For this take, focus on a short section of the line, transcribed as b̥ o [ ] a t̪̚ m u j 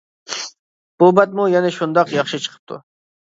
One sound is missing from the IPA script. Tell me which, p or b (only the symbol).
b